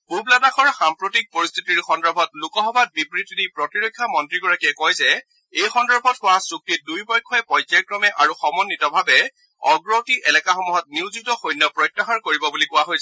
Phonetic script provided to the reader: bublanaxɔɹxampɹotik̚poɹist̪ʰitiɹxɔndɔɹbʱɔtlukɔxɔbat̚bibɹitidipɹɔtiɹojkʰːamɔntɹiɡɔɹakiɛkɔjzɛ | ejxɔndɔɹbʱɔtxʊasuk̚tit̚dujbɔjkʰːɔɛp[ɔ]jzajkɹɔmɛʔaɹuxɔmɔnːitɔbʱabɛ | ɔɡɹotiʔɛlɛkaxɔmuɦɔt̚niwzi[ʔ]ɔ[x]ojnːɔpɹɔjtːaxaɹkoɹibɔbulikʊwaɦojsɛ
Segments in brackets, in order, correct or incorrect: correct, incorrect, correct

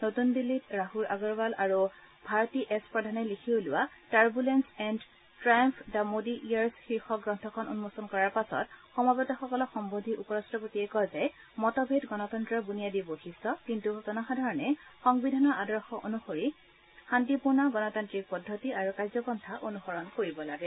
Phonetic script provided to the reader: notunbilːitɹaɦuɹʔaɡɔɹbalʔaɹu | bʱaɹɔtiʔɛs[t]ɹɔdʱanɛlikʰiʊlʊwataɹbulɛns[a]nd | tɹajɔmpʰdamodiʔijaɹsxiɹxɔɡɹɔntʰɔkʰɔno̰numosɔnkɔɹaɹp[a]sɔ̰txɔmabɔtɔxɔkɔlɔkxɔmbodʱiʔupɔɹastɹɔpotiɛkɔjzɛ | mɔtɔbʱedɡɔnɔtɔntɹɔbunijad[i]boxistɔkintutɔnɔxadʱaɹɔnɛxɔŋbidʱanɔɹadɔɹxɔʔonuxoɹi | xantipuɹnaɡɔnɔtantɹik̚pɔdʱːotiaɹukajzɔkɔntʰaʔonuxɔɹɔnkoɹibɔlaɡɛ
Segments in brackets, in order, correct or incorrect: incorrect, incorrect, correct, correct

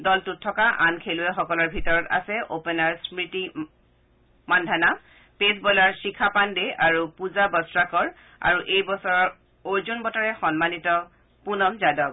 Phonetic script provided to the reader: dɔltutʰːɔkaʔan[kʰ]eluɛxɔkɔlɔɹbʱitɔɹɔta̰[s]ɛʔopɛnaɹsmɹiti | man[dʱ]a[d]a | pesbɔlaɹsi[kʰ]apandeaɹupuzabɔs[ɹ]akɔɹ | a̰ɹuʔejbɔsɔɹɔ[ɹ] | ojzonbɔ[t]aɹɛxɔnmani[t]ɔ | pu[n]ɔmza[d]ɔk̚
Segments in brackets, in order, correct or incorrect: correct, correct, correct, incorrect, correct, correct, correct, correct, correct, correct, correct

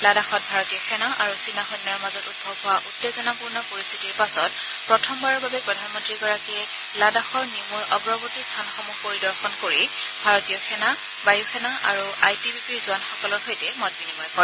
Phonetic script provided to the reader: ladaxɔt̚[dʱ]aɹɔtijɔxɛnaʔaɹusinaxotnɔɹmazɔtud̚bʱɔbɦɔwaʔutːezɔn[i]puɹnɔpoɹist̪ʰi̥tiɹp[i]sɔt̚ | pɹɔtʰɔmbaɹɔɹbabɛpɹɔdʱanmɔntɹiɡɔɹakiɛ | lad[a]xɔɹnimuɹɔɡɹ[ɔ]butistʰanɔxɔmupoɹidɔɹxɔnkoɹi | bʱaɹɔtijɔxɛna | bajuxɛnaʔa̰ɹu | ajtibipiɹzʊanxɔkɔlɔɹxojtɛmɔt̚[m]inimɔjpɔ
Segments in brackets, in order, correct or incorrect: incorrect, incorrect, incorrect, correct, correct, incorrect

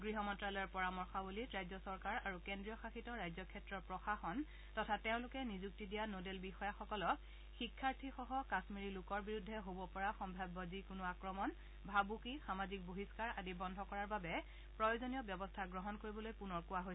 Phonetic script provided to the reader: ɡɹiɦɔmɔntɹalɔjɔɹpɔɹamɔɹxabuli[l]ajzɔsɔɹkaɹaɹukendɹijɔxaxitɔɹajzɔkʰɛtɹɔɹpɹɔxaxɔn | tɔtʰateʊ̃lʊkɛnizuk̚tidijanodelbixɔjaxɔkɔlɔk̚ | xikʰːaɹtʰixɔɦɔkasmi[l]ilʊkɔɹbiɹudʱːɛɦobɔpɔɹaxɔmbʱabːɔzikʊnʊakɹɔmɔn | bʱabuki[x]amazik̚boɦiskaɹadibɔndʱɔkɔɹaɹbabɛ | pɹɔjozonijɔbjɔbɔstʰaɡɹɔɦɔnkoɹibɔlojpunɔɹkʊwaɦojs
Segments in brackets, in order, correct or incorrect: incorrect, incorrect, correct

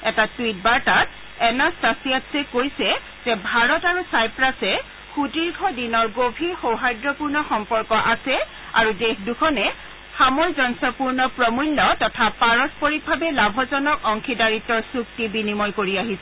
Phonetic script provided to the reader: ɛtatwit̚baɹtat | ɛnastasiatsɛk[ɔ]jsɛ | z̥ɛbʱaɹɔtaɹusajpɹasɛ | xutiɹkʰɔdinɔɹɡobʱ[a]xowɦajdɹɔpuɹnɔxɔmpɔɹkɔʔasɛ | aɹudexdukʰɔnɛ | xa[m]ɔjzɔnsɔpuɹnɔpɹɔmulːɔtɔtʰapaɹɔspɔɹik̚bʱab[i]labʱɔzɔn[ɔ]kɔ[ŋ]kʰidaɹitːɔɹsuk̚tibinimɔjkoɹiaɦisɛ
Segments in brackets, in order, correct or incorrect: incorrect, incorrect, correct, incorrect, correct, correct

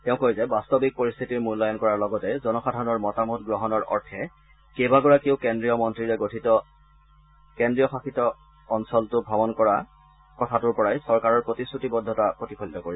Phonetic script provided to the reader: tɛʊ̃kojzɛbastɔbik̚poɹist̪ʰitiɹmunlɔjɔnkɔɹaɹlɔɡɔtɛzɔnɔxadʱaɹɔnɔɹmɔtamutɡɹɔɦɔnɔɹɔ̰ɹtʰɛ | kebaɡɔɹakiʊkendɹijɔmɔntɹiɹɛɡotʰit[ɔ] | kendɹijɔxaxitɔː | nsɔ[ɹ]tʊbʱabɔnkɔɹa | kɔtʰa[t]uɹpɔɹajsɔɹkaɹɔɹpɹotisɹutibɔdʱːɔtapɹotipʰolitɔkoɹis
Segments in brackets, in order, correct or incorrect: correct, incorrect, correct

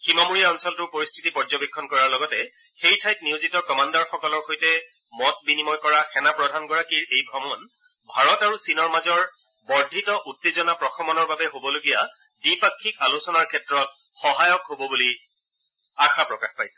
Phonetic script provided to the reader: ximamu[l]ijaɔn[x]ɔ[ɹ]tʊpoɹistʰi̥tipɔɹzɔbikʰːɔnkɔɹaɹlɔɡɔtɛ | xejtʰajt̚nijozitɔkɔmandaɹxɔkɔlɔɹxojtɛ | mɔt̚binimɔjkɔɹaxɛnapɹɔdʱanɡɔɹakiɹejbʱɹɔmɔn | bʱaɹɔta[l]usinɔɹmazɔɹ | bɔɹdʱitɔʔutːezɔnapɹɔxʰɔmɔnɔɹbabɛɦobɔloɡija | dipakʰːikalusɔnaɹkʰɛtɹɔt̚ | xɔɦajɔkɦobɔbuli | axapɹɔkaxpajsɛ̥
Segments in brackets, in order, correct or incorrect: incorrect, incorrect, incorrect, incorrect

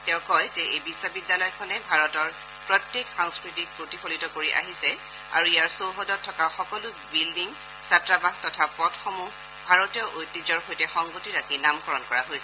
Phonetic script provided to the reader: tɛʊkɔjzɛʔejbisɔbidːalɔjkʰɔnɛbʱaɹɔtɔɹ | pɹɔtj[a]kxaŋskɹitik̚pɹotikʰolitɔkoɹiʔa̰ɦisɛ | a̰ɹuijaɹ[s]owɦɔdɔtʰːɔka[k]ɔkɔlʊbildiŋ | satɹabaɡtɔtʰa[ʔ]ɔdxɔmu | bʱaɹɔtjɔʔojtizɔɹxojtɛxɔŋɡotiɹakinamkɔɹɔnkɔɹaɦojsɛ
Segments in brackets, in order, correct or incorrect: incorrect, correct, incorrect, incorrect

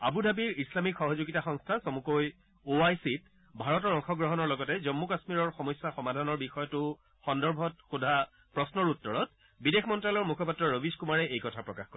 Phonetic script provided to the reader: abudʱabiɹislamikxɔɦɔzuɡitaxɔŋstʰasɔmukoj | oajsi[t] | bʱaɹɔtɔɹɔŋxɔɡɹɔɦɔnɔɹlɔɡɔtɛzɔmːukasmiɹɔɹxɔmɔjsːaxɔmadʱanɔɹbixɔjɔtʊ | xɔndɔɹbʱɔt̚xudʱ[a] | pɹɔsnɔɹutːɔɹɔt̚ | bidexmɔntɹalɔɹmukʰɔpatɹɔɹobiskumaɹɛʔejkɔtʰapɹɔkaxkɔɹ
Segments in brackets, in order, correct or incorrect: correct, correct

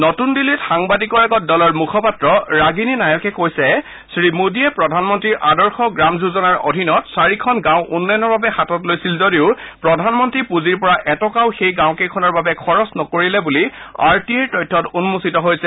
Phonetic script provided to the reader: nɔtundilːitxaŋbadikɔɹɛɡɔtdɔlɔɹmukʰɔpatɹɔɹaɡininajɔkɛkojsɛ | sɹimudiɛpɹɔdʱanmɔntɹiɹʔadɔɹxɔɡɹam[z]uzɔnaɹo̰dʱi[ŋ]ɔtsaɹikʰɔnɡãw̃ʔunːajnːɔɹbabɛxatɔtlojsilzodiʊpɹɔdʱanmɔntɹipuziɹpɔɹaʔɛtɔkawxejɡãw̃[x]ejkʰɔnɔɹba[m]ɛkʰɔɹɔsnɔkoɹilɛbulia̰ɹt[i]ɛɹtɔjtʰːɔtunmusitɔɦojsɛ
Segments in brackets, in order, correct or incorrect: correct, incorrect, incorrect, incorrect, correct

